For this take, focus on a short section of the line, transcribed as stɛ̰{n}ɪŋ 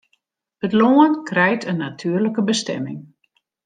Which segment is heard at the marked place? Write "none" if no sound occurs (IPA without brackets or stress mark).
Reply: m